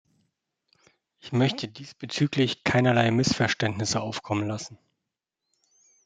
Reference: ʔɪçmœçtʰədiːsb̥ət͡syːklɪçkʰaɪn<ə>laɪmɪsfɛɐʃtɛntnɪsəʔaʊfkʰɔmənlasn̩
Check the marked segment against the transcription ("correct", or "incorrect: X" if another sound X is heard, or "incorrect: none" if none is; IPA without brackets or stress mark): incorrect: ɐ